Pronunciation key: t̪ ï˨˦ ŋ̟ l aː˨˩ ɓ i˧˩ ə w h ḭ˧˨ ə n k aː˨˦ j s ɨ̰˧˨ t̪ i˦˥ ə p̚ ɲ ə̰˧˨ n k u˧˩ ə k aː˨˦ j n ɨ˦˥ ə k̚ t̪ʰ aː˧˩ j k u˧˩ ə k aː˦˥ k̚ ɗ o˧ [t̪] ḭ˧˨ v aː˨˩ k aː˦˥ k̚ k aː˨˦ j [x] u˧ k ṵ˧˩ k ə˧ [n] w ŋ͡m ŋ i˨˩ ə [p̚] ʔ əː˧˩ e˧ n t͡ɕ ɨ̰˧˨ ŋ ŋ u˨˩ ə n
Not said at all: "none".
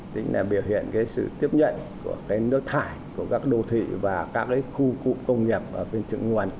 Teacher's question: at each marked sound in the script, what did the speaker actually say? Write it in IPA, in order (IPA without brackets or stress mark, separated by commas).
t̪ʰ, x, none, p̚